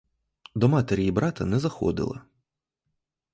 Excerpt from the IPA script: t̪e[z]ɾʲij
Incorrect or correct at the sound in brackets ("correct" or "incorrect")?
incorrect